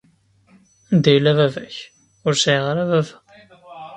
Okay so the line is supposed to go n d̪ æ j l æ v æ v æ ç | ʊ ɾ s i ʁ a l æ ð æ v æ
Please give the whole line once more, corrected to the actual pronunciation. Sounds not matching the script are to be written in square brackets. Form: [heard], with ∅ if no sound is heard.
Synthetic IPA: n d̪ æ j l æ v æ v æ ç | ʊ ɾ s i ʁ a [ɾ] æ [v] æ v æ